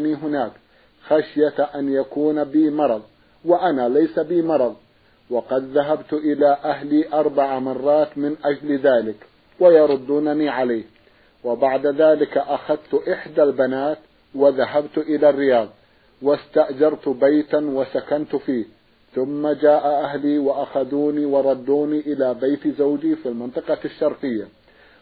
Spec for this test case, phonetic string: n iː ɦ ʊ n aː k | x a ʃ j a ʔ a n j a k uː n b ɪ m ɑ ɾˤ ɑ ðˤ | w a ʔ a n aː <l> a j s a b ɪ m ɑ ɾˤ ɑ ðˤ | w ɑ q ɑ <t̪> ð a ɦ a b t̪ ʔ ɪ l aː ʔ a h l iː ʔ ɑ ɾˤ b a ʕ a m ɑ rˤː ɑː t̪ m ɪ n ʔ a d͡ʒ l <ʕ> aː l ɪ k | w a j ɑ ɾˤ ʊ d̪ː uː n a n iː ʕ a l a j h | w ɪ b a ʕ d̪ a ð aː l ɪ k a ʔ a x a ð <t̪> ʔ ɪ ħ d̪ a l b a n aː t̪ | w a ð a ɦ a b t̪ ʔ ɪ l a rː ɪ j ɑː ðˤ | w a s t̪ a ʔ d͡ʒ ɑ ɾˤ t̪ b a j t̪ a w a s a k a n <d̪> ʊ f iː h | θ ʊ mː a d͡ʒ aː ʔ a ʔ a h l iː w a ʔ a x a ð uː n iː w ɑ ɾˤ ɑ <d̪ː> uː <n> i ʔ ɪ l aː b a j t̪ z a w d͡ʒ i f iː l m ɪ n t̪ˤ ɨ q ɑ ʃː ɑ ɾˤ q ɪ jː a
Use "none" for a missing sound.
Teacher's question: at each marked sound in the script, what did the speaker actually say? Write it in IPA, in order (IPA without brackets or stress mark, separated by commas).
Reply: l, d̪, ð, t̪, t̪, d̪ː, n